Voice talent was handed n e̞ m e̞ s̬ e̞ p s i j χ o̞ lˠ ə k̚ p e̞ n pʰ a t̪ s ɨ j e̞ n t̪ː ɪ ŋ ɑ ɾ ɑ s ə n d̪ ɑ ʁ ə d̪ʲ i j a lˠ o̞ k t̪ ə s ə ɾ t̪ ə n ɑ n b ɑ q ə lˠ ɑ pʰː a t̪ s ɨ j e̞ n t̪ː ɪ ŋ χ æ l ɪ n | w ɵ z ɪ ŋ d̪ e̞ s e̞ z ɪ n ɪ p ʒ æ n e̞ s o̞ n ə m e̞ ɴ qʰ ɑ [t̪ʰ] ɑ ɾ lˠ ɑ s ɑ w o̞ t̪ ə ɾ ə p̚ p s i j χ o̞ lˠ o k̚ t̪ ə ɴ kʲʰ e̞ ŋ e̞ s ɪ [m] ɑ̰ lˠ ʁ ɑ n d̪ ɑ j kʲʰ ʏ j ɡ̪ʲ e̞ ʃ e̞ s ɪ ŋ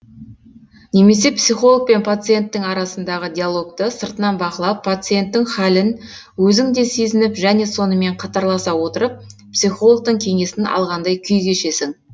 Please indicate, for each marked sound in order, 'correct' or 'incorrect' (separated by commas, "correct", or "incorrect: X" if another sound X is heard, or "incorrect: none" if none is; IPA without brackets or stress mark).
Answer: incorrect: t̪, incorrect: n